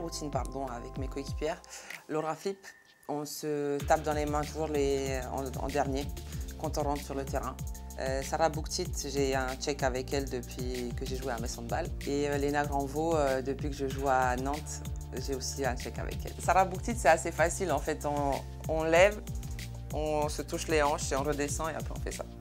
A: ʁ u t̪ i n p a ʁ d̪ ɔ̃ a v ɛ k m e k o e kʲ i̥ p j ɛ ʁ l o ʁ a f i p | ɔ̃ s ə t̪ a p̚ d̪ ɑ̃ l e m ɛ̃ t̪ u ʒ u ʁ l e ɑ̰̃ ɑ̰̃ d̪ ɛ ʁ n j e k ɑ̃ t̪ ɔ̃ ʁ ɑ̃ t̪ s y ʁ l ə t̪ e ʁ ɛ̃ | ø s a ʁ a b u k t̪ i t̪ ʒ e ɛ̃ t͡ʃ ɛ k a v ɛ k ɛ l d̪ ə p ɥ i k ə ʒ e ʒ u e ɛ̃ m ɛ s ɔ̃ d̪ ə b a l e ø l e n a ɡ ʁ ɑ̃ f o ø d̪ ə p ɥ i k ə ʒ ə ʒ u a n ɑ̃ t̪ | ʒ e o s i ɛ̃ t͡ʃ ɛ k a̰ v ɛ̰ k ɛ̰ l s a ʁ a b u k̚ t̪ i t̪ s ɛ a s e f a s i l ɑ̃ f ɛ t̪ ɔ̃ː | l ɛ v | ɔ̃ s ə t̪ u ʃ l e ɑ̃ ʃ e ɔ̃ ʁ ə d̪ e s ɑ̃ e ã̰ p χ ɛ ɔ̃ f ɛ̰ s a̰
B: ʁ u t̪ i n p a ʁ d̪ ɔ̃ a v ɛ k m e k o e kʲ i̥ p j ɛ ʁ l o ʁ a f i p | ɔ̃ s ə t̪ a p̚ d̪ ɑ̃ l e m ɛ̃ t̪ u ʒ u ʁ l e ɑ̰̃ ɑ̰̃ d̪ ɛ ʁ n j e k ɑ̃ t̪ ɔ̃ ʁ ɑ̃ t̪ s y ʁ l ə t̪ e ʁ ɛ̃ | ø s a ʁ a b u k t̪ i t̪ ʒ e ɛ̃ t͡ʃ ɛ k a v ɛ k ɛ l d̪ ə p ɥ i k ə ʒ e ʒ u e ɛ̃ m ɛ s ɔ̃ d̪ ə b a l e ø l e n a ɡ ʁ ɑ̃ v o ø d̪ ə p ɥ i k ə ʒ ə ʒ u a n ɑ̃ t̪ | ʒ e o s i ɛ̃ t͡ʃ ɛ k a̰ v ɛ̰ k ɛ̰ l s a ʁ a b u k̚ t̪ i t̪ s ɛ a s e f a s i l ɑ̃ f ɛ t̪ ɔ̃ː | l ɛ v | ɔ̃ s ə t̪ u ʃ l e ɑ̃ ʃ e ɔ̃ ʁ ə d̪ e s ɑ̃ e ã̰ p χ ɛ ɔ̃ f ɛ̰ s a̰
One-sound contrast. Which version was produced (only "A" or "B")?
B